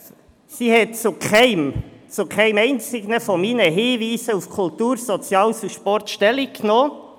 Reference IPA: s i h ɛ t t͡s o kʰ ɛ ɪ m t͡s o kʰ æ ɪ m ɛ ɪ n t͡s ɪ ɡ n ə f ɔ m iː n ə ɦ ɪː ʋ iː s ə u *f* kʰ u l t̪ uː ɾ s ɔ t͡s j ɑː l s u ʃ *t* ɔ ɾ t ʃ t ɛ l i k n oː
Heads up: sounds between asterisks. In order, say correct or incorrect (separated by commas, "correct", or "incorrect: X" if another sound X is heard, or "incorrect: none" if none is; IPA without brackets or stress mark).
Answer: correct, incorrect: p